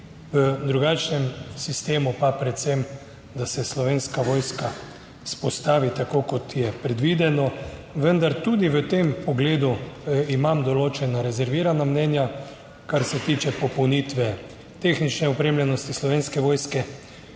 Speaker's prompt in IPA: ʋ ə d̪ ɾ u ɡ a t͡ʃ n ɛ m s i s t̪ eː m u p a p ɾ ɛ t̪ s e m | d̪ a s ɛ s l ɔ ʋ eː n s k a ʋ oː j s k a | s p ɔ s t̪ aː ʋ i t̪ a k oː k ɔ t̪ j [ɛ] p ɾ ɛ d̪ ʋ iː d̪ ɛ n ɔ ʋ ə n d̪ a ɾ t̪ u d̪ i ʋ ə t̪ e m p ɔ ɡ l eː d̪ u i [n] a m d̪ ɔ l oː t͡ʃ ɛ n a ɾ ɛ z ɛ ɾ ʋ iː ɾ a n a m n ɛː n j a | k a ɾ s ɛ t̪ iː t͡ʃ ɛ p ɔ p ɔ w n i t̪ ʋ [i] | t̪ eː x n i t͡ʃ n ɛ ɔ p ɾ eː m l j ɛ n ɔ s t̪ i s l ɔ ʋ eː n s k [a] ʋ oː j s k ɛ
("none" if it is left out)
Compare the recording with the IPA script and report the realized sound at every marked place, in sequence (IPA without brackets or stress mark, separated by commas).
ɛ, m, ɛ, ɛ